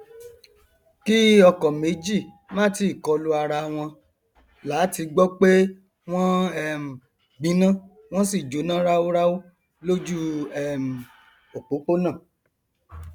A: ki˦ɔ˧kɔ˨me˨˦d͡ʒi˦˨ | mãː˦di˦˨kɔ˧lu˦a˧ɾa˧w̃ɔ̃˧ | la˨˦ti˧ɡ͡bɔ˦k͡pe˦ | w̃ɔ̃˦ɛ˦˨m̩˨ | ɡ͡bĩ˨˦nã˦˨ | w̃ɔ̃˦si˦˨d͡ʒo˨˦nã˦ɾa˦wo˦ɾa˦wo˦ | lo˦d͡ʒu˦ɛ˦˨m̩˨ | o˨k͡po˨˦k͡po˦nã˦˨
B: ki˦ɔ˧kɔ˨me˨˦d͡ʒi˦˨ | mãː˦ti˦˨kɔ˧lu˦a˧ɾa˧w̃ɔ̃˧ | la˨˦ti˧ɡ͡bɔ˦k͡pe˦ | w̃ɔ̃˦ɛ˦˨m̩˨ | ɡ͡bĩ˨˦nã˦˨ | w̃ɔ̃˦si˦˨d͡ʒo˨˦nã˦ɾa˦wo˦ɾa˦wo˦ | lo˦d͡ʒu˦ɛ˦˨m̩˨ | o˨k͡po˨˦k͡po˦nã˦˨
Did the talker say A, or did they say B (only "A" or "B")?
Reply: B